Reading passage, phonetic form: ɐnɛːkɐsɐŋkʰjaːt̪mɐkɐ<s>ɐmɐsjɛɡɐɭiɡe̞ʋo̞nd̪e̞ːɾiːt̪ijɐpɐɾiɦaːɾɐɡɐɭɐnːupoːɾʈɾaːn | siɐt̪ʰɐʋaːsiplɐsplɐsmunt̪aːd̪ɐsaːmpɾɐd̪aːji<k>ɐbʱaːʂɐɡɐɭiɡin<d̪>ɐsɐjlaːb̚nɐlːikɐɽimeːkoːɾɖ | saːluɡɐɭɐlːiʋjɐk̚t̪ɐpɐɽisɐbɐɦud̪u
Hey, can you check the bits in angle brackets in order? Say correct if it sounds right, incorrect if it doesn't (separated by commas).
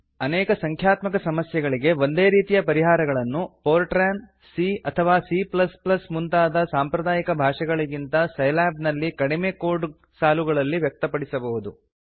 correct, correct, incorrect